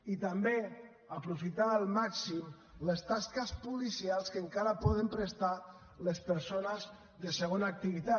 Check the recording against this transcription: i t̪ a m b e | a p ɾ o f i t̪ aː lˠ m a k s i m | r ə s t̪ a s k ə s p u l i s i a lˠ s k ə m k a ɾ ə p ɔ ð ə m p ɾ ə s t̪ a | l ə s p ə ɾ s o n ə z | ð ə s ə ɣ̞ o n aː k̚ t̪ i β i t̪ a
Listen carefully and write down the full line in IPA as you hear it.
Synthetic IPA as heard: i t̪ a m b e | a p ɾ u f i t̪ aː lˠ m a k s i m | l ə s t̪ a s k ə s p u l i s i a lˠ s k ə ŋ k a ɾ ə p ɔ ð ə m p ɾ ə s t̪ a | l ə s p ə ɾ s o n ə z | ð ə s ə ɣ̞ o n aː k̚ t̪ i β i t̪ a